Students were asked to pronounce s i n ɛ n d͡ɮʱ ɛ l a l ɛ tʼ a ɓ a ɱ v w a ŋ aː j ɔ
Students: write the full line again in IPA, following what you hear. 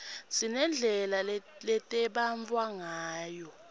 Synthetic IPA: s i n ɛ n d͡ɮʱ ɛ l a l ɛ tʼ ɛ ɓ a ɱ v w a ŋ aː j ɔ